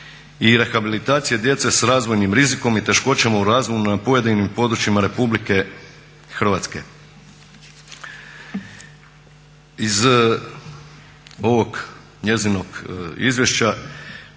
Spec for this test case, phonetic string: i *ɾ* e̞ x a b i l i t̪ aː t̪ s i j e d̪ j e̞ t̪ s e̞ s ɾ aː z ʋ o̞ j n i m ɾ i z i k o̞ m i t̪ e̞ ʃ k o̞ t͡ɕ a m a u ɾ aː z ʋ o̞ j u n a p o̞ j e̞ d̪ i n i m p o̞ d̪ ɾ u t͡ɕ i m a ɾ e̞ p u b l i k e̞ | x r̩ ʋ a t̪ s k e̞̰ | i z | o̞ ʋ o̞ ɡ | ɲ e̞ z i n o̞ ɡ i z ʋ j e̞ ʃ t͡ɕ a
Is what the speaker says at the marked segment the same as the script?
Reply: yes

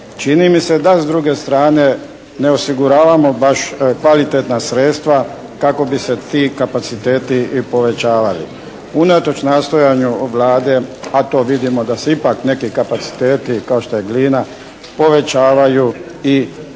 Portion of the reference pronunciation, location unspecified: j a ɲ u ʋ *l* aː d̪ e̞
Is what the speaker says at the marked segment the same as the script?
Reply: yes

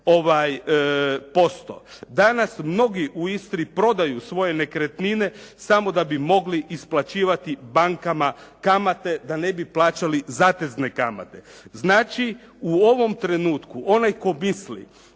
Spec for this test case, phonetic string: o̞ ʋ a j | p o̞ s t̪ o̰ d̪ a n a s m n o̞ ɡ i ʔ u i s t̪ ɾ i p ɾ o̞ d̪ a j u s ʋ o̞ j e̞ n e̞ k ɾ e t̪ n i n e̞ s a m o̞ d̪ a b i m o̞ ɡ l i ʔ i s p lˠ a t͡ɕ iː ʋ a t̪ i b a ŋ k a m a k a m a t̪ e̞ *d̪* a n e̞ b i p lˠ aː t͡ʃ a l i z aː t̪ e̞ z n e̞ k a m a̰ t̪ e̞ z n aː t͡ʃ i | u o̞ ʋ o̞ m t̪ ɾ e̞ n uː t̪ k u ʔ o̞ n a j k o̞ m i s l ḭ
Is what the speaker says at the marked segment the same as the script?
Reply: yes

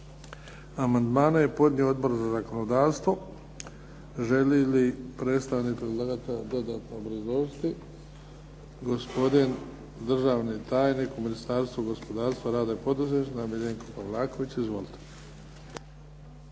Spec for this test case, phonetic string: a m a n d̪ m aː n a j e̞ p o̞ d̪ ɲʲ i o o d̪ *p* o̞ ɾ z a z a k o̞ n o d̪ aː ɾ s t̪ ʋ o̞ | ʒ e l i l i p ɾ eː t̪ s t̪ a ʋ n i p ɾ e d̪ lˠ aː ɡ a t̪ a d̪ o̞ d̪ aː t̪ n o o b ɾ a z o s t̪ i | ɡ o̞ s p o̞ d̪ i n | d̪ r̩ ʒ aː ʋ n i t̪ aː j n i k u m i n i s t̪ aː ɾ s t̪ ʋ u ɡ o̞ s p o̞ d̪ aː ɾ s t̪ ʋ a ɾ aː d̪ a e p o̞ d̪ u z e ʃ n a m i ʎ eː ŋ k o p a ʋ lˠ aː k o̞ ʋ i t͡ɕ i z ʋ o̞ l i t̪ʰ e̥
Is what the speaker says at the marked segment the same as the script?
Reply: no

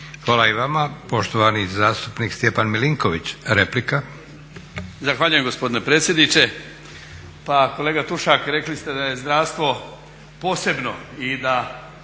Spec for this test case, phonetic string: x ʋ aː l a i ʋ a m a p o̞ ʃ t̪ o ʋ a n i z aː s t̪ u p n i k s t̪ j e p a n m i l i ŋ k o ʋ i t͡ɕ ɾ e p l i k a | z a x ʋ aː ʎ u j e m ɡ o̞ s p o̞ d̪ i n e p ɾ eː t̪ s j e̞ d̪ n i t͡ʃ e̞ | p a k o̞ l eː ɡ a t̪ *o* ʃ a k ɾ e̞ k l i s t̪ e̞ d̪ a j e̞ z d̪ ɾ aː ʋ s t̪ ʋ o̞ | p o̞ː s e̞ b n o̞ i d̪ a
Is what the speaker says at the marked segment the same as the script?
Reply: no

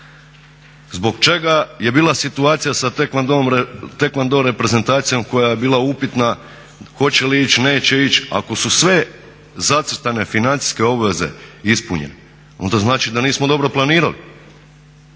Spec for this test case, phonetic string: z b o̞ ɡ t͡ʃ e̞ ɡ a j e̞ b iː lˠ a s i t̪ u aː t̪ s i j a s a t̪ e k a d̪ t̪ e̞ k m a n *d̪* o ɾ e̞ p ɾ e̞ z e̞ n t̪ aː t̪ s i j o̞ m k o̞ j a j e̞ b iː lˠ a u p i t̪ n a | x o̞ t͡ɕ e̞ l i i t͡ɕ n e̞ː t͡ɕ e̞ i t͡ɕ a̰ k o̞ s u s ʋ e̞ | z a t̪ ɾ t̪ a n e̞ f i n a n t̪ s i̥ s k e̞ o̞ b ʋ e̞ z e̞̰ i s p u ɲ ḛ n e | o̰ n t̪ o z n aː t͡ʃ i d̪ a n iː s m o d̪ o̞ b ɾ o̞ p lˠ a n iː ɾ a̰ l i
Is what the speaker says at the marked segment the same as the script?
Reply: yes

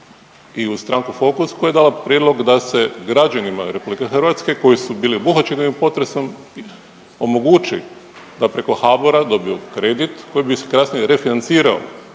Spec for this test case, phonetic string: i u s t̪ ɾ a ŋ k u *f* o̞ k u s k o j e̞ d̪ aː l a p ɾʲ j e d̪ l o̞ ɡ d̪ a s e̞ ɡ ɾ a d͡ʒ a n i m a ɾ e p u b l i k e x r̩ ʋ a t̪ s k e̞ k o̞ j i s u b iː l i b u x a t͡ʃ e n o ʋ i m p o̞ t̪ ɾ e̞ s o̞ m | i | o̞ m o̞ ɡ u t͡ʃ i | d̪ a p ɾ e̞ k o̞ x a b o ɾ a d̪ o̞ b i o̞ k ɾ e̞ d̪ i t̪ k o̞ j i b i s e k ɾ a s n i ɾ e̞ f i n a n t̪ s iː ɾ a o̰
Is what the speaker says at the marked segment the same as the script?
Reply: yes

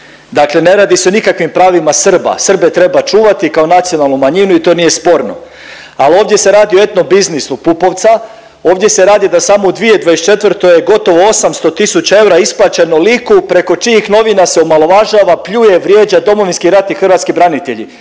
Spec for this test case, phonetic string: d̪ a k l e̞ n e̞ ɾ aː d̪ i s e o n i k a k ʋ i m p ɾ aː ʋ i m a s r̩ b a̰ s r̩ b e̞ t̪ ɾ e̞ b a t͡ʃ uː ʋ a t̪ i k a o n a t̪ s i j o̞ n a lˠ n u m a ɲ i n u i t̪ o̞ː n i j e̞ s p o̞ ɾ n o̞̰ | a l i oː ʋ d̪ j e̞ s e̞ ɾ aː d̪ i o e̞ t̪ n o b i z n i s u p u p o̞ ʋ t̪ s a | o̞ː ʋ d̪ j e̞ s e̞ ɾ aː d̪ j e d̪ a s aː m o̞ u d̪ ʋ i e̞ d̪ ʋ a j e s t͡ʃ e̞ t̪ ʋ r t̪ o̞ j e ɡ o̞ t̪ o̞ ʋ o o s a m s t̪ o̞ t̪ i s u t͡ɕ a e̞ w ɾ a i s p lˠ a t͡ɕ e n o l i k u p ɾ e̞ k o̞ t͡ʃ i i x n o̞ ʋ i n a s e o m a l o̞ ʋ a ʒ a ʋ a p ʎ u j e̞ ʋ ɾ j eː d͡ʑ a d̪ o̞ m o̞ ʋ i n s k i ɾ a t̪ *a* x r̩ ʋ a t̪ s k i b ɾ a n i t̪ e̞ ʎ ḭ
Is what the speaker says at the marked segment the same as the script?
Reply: no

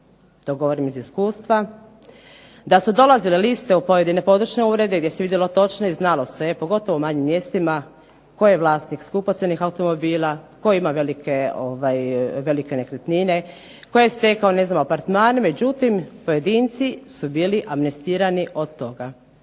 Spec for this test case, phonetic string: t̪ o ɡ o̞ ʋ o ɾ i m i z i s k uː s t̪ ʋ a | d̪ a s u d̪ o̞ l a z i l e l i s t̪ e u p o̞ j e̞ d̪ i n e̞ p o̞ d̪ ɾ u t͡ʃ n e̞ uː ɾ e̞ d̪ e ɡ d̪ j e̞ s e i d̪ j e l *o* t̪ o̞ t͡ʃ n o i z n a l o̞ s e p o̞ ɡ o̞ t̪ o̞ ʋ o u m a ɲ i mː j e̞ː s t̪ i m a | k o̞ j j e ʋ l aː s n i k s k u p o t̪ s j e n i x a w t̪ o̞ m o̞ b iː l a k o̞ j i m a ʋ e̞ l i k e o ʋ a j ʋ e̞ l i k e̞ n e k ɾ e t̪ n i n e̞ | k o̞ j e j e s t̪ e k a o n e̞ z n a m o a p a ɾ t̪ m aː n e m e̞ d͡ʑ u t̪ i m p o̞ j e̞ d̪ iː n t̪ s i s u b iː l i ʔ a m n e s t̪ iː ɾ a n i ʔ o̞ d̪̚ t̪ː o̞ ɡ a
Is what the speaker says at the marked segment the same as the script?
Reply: yes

